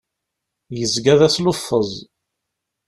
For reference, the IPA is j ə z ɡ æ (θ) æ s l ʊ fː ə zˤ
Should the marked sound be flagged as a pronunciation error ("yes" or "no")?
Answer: yes